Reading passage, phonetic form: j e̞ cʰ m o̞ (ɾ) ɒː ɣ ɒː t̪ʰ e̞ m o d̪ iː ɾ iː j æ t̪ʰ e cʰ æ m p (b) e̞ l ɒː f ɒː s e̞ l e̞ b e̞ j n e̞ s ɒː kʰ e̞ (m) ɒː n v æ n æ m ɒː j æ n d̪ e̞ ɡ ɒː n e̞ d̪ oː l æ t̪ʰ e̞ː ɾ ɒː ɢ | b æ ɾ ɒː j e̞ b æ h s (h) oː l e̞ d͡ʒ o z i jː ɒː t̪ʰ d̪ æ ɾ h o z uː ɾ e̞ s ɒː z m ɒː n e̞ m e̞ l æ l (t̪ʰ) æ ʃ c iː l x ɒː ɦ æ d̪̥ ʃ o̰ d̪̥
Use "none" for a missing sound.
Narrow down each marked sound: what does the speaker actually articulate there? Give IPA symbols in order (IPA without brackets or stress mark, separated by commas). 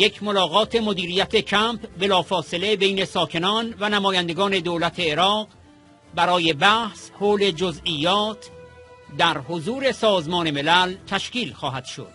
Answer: l, b, n, h, t̪ʰ